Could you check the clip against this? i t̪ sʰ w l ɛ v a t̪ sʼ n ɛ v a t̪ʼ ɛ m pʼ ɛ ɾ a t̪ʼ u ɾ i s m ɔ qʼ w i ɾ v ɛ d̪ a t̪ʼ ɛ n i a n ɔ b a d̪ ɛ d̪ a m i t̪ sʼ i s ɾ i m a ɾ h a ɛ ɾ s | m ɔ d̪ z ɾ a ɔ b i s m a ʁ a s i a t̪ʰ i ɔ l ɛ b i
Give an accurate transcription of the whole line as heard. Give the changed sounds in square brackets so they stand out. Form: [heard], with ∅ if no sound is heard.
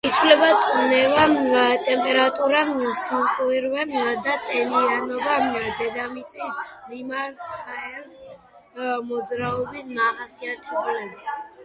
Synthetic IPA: i t̪ sʰ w l ɛ [b] a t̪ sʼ n ɛ v a t̪ʼ ɛ m pʼ ɛ ɾ a t̪ʼ u ɾ [a] s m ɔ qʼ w i ɾ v ɛ d̪ a t̪ʼ ɛ n i a n ɔ b a d̪ ɛ d̪ a m i t̪ sʼ i s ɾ i m a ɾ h a ɛ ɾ s | m ɔ d̪ z ɾ a ɔ b i s m a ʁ a s i a t̪ʰ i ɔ l ɛ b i